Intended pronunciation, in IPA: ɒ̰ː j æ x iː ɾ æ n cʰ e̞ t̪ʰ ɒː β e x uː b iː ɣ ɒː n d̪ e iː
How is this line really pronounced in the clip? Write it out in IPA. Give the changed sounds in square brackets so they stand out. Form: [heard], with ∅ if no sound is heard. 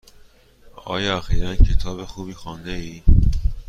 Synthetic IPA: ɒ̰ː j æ x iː ɾ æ n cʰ e̞ t̪ʰ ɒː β e x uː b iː [x] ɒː n d̪ e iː